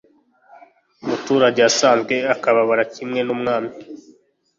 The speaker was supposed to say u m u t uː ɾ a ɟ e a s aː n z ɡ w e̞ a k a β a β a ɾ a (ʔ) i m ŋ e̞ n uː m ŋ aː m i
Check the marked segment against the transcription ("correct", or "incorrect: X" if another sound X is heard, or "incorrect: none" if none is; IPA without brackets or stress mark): incorrect: c